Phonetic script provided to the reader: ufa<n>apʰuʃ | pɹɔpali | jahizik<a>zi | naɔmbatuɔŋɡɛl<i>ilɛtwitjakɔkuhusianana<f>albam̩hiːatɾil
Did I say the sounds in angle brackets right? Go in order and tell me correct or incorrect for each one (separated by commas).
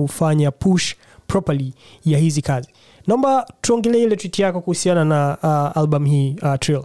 incorrect, correct, incorrect, incorrect